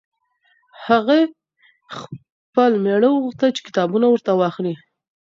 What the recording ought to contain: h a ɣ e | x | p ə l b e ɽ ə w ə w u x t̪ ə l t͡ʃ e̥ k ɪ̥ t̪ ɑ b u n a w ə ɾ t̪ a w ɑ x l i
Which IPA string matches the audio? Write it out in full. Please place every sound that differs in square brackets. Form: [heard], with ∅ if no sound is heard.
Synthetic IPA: h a ɣ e | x | p ə l [m] e ɽ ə w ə [ɣ] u x t̪ ə l t͡ʃ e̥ k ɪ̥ t̪ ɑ b u n a w ə ɾ t̪ a w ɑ x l i